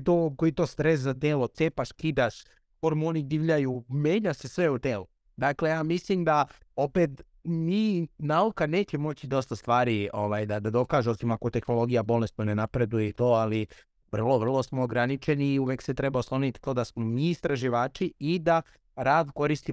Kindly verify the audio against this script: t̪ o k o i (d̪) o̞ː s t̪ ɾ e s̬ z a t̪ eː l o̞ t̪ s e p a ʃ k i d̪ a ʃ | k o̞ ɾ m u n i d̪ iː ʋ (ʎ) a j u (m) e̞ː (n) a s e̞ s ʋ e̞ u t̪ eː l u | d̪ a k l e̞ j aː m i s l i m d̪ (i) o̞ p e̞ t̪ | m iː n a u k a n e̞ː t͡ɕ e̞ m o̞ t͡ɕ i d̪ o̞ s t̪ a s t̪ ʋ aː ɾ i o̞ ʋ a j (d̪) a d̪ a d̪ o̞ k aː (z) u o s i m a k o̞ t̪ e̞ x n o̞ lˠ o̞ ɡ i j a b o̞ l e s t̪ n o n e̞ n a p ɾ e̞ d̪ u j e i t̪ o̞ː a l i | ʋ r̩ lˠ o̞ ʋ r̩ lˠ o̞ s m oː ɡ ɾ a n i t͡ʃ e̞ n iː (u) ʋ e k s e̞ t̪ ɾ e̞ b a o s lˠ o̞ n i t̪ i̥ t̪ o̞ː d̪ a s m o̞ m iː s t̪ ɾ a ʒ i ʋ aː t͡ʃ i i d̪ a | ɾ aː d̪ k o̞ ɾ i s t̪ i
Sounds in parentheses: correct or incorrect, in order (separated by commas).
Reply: incorrect, correct, correct, incorrect, incorrect, correct, incorrect, correct